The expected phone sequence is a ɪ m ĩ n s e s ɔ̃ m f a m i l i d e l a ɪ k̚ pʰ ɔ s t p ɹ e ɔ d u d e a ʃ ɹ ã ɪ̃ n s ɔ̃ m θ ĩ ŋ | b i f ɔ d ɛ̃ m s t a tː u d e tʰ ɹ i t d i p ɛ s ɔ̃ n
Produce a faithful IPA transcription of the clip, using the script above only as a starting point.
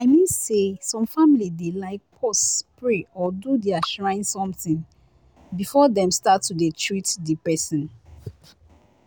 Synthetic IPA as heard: a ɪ m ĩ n s e s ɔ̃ m f a m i l i d e l a ɪ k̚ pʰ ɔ s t p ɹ e ɔ d u d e a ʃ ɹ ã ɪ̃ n s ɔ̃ m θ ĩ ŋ | b i f ɔ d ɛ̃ m s t a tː u d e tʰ ɹ i t d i p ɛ s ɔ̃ n